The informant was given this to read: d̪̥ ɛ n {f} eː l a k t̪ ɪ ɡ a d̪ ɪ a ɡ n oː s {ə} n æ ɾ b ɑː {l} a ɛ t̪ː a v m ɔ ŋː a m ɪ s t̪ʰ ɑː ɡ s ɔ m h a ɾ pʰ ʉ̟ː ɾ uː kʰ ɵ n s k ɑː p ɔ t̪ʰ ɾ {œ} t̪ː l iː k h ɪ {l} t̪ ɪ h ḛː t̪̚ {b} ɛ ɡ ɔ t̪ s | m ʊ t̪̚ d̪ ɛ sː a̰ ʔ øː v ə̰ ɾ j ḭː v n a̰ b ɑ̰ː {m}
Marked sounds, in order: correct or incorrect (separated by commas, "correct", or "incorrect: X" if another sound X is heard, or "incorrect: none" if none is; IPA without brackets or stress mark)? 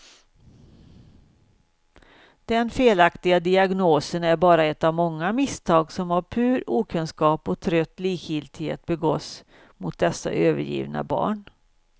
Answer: correct, correct, incorrect: ɾ, correct, correct, correct, incorrect: ɳ